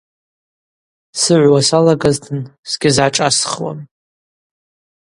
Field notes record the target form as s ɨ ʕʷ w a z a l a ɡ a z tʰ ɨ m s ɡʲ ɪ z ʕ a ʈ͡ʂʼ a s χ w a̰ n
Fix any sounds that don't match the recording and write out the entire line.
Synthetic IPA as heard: s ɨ ʕʷ w a s a l a ɡ a z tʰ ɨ n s ɡʲ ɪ z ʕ a ʈ͡ʂʼ a s χ w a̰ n